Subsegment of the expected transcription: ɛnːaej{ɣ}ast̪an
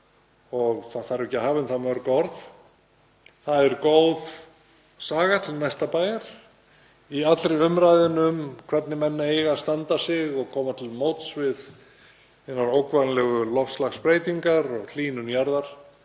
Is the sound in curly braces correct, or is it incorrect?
correct